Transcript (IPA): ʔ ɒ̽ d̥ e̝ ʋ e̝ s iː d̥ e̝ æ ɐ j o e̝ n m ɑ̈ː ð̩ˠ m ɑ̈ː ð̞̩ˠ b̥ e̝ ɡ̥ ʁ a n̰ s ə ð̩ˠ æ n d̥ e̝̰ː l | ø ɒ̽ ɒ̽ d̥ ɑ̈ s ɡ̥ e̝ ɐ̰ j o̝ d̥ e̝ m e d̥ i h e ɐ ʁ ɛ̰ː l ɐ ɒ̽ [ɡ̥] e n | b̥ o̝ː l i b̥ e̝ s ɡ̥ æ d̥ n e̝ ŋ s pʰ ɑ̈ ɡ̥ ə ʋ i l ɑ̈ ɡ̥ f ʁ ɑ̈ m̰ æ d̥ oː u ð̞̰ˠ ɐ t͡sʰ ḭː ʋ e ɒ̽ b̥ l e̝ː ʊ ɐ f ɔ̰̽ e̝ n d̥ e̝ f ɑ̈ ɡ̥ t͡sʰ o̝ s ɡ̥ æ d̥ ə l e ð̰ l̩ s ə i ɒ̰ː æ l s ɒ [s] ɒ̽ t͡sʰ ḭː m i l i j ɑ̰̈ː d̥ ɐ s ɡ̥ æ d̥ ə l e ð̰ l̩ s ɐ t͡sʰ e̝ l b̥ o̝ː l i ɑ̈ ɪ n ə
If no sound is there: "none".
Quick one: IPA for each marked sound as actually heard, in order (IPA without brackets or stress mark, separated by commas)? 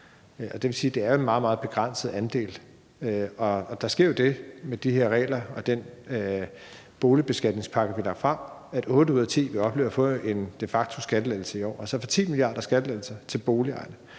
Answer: d̥, f